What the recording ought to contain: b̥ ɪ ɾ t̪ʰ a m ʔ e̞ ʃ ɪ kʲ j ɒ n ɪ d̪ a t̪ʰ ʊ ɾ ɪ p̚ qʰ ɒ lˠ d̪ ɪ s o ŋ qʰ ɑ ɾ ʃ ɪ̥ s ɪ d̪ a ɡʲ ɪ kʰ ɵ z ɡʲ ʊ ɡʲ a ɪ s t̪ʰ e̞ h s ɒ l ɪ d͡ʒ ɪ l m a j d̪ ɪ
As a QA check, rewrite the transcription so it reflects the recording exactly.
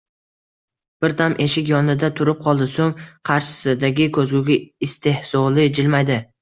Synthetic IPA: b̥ ɪ ɾ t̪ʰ a m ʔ e̞ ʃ ɪ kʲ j ɒ n ɪ d̪ a t̪ʰ ʊ ɾ ɪ p̚ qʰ ɒ lˠ d̪ ɪ s o ŋ qʰ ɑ ɾ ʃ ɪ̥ s ɪ d̪ a ɡʲ ɪ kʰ ɵ z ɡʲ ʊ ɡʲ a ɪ s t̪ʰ e̞ h s ɒ l ɪ d͡ʒ ɪ l m a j d̪ ɪ